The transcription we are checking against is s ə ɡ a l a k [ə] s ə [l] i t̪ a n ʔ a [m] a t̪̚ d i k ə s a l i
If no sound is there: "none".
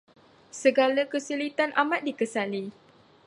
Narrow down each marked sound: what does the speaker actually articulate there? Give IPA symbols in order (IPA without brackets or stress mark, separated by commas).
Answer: ə, l, m